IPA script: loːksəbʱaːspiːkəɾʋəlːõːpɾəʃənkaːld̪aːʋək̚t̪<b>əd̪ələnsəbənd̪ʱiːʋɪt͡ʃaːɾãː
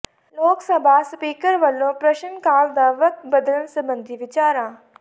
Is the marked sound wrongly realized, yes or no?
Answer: no